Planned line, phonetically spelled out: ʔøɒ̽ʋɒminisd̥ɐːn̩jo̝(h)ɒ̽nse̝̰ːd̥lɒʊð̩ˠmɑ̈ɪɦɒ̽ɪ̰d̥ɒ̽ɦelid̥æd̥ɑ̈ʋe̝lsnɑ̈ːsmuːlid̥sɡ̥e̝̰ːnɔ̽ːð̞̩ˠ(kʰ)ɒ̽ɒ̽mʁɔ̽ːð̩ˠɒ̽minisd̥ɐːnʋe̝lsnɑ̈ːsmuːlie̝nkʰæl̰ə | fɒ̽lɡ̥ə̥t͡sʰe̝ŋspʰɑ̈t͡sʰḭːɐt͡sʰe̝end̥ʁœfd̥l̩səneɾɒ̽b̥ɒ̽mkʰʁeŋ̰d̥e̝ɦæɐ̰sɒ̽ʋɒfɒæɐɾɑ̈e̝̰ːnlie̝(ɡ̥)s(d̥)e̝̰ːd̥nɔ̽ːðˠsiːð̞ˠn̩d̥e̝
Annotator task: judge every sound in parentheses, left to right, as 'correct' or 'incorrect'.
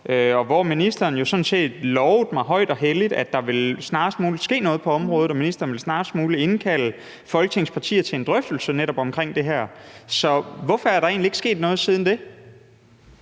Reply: incorrect: s, incorrect: pʰ, correct, incorrect: ɡ̥

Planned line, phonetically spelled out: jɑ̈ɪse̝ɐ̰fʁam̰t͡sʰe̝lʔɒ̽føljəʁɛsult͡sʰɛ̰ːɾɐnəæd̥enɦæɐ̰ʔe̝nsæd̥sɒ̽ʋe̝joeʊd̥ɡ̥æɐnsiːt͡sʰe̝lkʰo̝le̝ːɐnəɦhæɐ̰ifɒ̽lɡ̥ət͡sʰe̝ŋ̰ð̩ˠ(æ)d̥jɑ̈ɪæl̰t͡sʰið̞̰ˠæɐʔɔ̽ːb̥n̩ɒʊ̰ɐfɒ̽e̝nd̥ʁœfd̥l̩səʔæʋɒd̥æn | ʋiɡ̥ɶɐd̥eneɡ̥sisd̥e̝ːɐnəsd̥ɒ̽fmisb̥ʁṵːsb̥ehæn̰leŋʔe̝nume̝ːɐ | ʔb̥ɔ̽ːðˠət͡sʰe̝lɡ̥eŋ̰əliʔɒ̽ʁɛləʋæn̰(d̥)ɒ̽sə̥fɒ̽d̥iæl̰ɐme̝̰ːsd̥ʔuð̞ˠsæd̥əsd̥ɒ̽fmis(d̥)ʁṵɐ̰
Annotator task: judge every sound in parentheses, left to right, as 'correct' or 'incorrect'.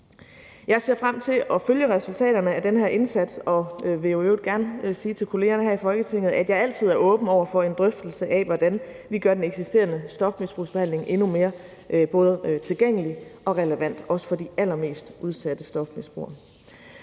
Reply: correct, correct, incorrect: b̥

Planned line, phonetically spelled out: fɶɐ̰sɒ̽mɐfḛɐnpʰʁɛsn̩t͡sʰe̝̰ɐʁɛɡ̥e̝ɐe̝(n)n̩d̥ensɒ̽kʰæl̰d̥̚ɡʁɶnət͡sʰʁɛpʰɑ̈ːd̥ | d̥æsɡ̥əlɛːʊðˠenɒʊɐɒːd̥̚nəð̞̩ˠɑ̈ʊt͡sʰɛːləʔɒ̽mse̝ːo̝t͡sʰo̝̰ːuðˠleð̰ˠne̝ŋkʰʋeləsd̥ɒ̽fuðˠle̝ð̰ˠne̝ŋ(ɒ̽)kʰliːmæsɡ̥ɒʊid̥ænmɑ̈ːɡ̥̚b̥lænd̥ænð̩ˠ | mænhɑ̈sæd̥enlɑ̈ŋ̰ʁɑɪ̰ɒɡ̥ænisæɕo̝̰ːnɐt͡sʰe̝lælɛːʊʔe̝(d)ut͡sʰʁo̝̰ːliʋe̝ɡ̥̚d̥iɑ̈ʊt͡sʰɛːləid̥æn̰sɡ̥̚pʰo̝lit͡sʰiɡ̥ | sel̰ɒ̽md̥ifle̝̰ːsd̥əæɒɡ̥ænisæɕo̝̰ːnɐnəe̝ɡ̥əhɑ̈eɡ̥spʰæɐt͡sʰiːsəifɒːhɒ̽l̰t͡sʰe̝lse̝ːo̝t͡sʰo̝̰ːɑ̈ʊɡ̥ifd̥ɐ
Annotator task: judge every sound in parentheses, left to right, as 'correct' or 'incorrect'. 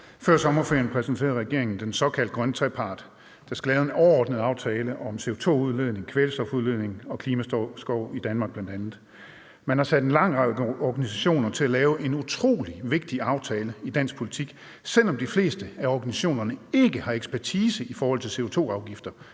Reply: incorrect: ŋ, correct, incorrect: n

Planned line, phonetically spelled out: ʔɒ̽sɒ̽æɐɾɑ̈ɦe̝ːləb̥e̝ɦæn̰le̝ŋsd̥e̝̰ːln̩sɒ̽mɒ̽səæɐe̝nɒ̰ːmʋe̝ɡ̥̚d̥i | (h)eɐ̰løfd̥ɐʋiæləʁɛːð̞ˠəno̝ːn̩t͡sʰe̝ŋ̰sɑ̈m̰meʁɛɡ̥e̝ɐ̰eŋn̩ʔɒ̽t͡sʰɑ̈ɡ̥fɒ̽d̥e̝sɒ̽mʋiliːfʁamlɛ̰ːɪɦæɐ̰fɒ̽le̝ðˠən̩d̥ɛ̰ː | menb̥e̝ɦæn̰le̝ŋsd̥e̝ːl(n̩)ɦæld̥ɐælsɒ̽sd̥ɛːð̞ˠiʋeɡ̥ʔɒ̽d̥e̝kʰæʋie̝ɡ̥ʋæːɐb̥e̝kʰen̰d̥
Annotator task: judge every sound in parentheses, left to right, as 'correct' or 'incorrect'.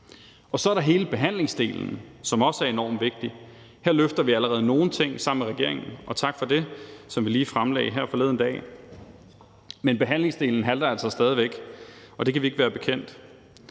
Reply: correct, correct

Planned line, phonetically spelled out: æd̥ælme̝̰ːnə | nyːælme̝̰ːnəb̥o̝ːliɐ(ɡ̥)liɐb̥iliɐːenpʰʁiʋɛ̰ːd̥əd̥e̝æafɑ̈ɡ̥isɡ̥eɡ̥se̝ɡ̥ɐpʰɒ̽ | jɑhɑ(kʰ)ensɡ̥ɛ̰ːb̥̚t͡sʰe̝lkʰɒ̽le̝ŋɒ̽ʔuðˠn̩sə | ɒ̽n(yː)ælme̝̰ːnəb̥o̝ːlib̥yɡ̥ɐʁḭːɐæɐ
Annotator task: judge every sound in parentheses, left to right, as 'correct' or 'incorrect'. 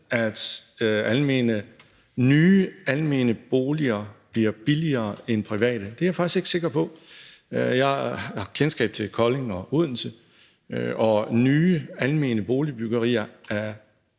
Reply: incorrect: b̥, correct, correct

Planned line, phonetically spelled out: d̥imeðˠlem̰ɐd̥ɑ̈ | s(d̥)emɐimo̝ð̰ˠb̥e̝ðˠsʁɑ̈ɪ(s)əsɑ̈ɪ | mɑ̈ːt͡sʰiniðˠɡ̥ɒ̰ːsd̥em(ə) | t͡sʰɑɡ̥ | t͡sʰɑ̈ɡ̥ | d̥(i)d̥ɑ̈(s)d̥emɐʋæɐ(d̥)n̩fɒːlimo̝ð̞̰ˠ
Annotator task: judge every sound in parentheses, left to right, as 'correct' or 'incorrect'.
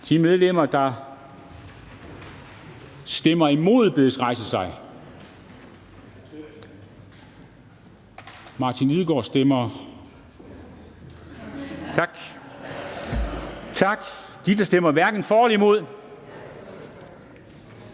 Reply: correct, correct, incorrect: ɐ, correct, correct, incorrect: ɡ̥

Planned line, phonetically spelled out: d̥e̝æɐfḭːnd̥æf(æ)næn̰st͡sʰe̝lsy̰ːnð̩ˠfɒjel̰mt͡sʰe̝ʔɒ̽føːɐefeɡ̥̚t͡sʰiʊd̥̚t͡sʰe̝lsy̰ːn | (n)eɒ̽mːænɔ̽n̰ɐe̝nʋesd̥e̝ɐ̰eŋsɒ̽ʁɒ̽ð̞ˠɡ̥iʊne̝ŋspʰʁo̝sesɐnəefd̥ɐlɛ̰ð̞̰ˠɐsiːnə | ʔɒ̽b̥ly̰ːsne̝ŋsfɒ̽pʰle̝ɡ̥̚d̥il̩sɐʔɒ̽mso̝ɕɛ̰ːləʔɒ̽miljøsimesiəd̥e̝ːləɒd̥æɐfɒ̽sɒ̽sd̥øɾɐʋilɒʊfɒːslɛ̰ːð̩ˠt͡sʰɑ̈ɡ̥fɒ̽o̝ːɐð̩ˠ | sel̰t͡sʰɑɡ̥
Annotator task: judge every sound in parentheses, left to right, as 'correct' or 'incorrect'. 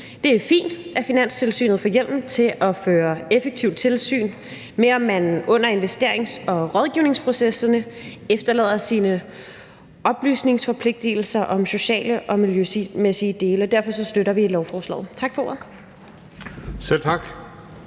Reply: incorrect: i, incorrect: m

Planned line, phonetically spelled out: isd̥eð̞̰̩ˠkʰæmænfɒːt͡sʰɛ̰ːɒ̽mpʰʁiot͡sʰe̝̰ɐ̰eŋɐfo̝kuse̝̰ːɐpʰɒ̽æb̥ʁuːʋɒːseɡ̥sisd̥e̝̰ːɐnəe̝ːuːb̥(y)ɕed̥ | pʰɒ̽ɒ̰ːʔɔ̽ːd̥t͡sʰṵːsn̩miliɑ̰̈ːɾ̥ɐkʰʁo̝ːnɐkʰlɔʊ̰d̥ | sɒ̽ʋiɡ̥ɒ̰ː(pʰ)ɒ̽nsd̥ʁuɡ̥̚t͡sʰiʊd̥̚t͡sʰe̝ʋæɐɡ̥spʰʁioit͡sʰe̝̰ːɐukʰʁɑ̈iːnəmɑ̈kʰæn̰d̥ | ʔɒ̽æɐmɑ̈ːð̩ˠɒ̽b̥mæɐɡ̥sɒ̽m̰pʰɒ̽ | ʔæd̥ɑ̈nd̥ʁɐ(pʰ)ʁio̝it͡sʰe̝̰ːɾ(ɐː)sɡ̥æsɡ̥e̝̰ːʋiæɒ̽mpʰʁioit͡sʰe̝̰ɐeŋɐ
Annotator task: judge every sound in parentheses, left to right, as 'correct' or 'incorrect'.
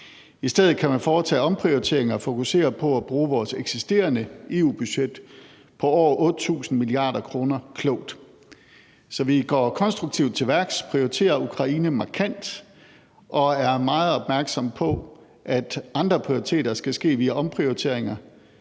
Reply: correct, incorrect: kʰ, correct, incorrect: ɐ

